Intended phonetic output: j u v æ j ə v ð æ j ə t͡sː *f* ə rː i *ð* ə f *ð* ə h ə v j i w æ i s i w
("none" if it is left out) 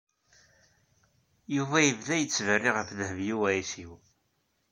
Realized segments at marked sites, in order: v, ʁ, ð

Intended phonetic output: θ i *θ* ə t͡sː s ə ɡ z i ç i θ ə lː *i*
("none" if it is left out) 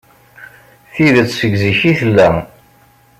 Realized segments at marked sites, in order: ð, æ

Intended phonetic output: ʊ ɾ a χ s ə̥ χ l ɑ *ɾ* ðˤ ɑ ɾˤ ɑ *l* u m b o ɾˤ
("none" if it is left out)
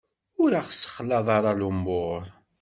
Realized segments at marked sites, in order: none, l

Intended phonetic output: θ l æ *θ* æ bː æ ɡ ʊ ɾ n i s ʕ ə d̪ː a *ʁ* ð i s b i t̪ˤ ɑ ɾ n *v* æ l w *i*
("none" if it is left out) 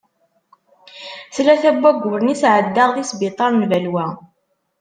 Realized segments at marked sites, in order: θ, ʁ, v, æ

